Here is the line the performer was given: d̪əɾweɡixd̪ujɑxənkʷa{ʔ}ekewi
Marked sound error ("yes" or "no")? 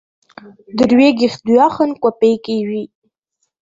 yes